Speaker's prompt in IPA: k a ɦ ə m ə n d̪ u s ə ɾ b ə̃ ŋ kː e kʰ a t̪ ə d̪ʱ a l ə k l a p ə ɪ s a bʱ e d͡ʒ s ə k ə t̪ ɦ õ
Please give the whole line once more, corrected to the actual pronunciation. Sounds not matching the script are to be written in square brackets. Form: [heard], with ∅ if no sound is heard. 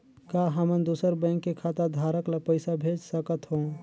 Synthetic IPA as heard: k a ɦ ə m ə n d̪ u s ə ɾ b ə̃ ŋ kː e kʰ a t̪ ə d̪ʱ a [ɾ] ə k l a p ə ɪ s a bʱ e d͡ʒ s ə k ə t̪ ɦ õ